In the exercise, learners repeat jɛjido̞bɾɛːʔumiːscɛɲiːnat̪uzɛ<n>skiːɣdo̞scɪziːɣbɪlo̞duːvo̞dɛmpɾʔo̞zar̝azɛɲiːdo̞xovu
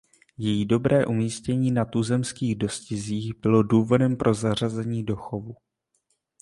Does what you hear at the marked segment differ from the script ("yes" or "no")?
yes